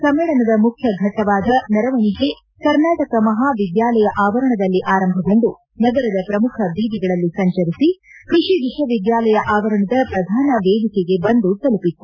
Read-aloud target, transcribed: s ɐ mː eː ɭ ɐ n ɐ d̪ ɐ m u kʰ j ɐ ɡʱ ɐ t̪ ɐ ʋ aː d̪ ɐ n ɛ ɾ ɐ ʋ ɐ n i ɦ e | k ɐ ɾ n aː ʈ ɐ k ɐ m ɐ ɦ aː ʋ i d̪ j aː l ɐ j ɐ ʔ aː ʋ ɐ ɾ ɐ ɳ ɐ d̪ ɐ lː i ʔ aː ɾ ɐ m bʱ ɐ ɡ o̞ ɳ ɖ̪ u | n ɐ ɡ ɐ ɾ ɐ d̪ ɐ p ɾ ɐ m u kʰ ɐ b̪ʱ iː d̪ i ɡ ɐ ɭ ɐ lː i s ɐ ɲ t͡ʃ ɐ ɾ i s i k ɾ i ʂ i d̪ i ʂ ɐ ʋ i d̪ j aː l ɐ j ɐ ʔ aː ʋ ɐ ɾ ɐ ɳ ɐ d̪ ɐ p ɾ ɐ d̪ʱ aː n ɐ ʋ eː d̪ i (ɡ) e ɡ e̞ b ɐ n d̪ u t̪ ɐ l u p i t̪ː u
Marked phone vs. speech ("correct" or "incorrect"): incorrect